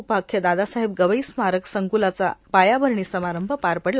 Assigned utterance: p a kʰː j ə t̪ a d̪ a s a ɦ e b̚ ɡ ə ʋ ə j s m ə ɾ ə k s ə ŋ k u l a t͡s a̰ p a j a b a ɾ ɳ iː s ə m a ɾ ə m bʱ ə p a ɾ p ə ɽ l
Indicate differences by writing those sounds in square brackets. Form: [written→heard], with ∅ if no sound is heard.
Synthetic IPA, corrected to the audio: p a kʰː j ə [t̪→d̪] a d̪ a s a ɦ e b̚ ɡ ə ʋ ə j s m [ə→a] ɾ ə k s ə ŋ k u l a t͡s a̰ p a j a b [a→ə] ɾ ɳ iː s ə m a ɾ ə m bʱ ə p a ɾ p ə ɽ l